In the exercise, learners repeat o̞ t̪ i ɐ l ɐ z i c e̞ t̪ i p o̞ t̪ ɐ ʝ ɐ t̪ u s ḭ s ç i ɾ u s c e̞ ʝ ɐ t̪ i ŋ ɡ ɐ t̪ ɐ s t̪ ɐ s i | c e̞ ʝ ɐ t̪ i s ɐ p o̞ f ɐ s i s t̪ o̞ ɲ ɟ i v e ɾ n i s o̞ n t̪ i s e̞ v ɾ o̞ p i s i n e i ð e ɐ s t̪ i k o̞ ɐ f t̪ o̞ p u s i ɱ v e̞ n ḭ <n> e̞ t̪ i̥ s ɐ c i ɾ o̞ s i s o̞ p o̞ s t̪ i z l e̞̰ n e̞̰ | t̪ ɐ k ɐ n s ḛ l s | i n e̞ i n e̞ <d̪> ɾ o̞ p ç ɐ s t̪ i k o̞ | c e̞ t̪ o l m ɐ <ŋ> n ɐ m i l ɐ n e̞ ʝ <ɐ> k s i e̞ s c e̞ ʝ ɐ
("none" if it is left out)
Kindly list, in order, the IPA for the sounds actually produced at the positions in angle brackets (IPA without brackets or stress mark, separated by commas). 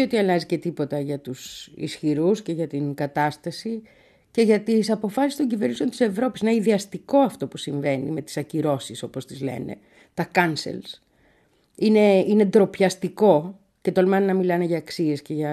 m, d̪, n, ɐː